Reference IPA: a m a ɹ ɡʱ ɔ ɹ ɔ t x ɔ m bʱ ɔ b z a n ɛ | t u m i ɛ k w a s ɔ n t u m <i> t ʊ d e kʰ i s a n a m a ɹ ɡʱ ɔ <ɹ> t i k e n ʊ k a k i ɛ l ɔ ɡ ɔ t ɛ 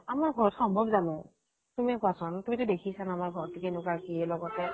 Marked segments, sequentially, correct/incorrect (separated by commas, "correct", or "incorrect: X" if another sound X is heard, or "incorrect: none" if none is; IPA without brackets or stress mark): correct, correct